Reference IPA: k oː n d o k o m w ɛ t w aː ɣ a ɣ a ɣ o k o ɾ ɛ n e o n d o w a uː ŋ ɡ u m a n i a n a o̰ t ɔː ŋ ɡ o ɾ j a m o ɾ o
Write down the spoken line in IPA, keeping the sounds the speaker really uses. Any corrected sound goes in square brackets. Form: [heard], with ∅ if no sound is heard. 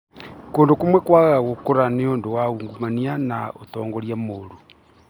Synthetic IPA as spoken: k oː n d o k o m w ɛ [k] w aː ɣ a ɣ a ɣ o k o ɾ [a] n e o n d o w a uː ŋ ɡ u m a n i a n a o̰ t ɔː ŋ ɡ o ɾ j a m o ɾ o